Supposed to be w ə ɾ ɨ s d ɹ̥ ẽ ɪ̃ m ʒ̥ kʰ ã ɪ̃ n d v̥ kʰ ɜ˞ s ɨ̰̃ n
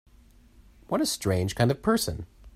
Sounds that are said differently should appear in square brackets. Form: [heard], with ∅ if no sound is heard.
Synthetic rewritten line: w [ʌ] ɾ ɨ s [t] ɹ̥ ẽ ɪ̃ [n] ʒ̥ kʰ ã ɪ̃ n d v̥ [pʰ] ɜ˞ s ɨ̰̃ n